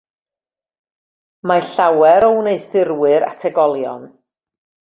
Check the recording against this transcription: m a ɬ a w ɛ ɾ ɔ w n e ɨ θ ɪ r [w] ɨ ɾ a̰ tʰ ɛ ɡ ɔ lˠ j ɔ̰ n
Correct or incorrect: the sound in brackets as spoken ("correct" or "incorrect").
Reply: correct